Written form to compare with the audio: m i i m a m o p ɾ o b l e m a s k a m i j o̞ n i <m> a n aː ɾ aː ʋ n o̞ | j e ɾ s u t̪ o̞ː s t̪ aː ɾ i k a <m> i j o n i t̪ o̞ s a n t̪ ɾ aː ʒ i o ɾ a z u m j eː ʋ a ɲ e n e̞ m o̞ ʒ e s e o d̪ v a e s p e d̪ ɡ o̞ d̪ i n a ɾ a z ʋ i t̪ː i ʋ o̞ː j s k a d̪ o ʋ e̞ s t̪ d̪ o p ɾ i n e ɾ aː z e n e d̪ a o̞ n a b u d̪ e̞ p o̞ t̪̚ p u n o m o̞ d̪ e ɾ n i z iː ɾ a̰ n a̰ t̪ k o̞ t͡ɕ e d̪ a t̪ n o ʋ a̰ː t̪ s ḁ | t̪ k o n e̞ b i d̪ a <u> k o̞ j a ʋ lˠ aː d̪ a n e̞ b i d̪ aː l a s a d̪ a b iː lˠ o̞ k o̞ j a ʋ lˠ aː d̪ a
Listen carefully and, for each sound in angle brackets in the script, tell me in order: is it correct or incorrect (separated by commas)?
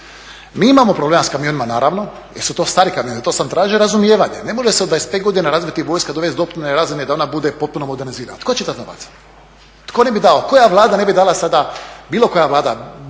correct, correct, incorrect